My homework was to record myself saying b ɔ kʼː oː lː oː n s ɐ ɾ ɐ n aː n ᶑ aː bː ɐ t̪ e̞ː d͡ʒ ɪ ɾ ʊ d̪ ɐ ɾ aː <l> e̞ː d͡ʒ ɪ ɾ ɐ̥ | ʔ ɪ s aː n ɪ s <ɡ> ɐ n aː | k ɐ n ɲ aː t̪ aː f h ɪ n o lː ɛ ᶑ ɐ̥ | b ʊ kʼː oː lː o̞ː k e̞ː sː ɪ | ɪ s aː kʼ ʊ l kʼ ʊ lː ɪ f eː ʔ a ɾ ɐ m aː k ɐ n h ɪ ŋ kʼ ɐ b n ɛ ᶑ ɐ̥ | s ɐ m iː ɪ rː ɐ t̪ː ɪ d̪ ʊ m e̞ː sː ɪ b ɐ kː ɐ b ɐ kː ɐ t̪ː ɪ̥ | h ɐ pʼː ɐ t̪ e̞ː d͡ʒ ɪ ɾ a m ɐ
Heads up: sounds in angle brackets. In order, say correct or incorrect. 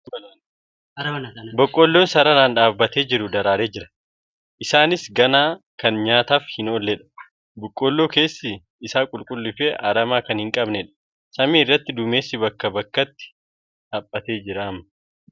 incorrect: ɾ, correct

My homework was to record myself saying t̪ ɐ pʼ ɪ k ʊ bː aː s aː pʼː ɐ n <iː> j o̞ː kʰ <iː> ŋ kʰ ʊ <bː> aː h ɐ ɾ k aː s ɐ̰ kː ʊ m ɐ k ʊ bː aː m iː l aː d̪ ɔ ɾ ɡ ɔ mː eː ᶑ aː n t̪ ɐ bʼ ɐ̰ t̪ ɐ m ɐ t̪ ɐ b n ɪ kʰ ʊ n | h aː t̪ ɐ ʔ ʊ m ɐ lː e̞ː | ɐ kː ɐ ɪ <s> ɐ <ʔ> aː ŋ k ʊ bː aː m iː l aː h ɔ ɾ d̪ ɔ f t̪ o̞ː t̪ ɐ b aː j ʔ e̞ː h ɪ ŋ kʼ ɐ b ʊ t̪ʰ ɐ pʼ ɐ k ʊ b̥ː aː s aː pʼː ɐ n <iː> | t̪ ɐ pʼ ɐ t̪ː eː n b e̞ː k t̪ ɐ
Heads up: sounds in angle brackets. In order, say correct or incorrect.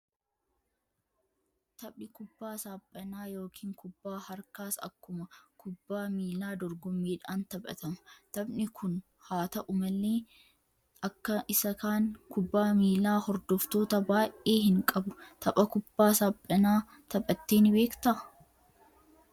incorrect: aː, correct, correct, correct, incorrect: k, incorrect: aː

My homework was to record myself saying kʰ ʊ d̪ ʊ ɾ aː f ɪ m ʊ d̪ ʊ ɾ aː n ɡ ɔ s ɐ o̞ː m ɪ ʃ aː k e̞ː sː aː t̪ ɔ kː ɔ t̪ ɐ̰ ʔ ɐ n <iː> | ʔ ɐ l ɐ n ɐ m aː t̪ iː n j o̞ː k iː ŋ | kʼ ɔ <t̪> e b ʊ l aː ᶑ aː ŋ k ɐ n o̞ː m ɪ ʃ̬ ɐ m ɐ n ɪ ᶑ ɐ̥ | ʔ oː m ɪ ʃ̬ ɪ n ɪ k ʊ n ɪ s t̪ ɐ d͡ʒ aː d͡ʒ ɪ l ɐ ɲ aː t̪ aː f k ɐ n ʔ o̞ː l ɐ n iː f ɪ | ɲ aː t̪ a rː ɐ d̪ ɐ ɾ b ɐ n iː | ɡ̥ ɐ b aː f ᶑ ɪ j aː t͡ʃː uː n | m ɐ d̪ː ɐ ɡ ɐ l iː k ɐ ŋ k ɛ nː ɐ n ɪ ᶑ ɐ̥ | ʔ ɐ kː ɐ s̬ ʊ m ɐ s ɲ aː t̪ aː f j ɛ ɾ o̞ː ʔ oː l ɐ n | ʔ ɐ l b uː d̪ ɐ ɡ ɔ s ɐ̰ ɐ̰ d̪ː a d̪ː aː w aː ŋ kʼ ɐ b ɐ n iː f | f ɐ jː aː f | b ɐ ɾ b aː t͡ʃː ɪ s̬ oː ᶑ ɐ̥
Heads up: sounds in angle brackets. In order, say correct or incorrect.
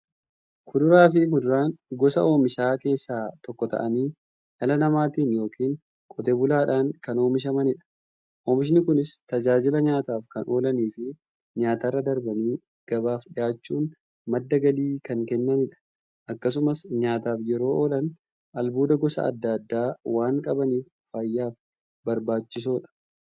correct, correct

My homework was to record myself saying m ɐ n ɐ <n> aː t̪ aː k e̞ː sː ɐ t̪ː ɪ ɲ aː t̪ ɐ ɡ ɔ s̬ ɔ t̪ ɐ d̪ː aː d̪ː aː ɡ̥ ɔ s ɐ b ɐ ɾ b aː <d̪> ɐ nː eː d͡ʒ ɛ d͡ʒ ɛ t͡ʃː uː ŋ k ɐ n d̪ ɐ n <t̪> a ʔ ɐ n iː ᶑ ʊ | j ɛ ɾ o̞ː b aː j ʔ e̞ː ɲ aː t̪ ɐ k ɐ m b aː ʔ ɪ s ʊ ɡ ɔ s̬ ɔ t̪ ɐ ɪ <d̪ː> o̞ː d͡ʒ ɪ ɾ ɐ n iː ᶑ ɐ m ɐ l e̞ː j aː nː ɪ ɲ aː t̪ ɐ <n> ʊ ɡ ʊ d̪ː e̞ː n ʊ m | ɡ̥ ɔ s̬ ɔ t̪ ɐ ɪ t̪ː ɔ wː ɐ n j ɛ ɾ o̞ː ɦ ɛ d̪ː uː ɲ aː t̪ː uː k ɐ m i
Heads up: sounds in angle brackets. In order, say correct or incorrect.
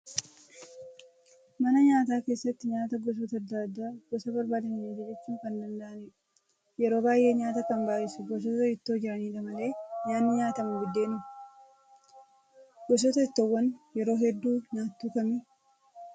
incorrect: ɲ, correct, incorrect: d̪, incorrect: t̪ː, incorrect: m

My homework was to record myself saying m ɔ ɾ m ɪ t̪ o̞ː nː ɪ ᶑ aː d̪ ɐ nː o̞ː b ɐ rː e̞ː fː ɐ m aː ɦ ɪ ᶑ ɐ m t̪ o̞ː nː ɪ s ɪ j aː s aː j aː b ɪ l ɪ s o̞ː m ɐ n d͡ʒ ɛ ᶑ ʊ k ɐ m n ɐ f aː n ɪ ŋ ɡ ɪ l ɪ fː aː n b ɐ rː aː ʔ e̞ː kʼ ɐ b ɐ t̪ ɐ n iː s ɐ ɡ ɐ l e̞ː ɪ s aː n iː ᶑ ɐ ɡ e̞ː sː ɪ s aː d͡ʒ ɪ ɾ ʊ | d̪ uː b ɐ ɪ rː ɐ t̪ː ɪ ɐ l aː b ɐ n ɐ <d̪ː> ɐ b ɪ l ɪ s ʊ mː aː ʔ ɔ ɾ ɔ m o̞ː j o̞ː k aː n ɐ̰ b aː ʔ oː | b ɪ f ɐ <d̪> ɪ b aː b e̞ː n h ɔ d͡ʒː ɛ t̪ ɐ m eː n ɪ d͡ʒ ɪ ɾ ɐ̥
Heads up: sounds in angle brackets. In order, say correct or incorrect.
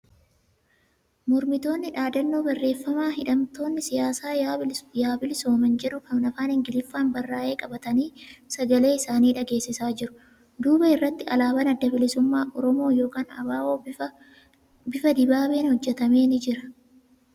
correct, correct

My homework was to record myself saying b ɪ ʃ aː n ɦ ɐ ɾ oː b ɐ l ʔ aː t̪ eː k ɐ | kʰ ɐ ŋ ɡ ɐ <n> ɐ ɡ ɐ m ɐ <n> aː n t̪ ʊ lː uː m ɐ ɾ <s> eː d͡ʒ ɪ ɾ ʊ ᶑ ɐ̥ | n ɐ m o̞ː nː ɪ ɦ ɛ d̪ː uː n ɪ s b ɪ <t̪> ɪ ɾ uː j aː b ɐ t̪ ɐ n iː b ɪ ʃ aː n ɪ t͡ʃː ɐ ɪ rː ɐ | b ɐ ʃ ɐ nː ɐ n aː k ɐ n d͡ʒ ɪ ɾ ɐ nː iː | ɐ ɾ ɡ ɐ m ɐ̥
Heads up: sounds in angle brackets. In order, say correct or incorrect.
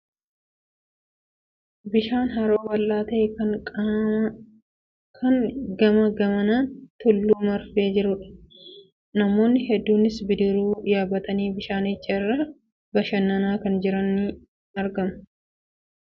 incorrect: m, correct, incorrect: f, incorrect: d̪

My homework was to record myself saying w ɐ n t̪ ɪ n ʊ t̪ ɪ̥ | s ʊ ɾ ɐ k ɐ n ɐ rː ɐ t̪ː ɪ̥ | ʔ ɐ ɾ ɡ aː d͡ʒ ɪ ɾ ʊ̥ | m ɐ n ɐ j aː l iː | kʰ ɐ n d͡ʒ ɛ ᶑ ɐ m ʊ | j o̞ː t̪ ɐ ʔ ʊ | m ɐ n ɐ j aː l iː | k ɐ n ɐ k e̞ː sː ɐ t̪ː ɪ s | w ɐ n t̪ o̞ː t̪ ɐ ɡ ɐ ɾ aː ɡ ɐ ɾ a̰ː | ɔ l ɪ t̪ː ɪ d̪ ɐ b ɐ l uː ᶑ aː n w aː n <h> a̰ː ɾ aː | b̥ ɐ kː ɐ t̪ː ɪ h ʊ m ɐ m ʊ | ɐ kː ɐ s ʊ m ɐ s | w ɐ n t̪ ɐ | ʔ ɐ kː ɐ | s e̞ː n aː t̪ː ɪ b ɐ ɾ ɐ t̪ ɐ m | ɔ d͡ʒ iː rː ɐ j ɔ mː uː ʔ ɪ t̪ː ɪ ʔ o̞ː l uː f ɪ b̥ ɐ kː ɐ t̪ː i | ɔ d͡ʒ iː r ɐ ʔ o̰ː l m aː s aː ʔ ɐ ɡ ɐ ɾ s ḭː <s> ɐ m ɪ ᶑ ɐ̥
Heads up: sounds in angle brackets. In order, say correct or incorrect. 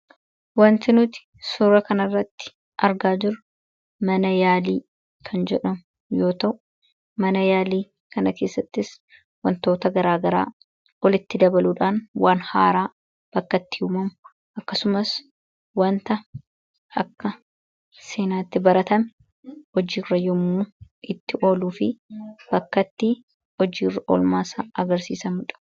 correct, correct

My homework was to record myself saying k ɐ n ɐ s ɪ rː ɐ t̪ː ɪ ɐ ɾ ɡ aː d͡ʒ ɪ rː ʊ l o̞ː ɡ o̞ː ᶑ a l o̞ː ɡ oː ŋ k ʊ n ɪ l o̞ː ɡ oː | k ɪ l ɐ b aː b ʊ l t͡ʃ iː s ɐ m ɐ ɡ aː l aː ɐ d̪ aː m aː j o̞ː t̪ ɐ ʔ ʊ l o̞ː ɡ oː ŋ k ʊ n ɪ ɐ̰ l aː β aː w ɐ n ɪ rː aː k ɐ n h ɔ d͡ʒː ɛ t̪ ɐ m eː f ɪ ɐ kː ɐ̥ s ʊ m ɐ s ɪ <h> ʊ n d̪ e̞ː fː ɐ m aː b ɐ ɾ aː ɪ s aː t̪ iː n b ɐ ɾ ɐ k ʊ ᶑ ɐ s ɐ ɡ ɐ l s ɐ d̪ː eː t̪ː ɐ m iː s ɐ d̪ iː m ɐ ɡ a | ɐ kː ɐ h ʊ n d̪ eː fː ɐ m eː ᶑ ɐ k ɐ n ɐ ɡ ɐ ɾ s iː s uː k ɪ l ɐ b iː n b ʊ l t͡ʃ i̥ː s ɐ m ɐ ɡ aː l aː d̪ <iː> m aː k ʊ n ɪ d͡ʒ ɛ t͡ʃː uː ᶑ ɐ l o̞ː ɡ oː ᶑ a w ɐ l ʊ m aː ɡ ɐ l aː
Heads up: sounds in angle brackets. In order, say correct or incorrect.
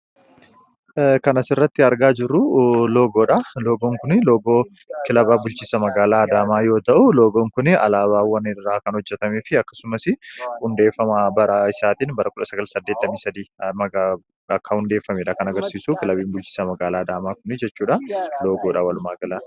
correct, incorrect: aː

